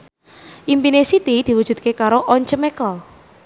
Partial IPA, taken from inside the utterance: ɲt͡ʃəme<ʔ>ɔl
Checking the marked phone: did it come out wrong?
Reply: yes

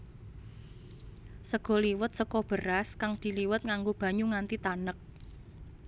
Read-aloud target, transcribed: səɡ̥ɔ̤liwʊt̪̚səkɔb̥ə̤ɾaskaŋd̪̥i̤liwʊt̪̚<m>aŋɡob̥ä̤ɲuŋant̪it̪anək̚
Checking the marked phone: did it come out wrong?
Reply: yes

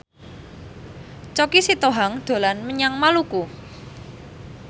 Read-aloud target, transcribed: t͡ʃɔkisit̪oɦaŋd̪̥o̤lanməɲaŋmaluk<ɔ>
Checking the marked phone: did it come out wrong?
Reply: yes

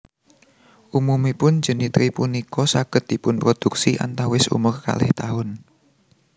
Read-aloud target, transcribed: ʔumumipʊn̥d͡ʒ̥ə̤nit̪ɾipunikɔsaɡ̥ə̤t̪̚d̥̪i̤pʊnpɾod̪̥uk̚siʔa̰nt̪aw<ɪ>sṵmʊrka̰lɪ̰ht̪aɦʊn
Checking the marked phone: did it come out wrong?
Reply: no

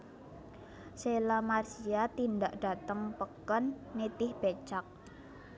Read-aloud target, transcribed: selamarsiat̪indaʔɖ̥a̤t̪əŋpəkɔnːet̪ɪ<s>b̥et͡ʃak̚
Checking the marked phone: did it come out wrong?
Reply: yes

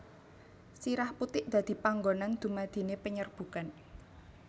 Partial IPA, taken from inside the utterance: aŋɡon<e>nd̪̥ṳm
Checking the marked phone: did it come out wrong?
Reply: yes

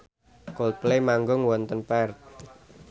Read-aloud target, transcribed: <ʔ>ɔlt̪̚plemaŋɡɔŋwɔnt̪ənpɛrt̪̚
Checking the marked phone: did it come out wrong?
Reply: yes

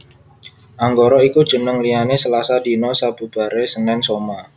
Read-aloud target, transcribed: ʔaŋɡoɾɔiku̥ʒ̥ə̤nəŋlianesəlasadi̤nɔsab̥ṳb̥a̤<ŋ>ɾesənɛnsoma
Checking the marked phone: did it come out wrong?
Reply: yes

